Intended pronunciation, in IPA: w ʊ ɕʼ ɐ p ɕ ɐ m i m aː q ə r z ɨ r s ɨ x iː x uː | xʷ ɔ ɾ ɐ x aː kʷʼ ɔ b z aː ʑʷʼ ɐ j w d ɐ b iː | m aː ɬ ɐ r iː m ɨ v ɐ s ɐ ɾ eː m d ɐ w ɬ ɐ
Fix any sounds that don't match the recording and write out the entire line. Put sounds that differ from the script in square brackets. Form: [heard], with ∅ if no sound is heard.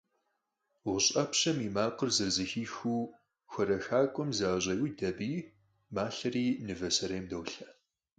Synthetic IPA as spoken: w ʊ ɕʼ ɐ p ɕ ɐ m i m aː q ə r z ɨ r [z] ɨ x iː x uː | xʷ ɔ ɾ ɐ x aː kʷʼ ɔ [m] z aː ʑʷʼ ɐ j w d ɐ b iː | m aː ɬ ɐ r iː [n] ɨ v ɐ s ɐ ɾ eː m d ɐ w ɬ ɐ